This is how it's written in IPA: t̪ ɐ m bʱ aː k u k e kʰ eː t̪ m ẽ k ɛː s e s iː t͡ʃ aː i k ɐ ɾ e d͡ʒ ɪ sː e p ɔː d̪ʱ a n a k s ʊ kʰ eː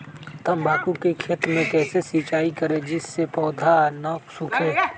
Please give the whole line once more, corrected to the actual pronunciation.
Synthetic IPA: t̪ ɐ m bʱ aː k u k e kʰ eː t̪ m ẽ k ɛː s e s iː t͡ʃ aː i k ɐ ɾ e d͡ʒ ɪ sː e p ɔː d̪ʱ a n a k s ʊ kʰ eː